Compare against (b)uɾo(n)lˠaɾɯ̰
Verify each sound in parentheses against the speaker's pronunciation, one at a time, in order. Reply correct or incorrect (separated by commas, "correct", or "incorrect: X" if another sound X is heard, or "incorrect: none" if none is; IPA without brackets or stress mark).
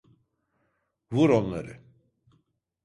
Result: incorrect: v, correct